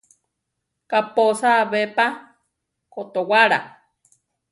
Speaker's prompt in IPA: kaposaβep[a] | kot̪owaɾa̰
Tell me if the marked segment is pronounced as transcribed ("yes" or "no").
yes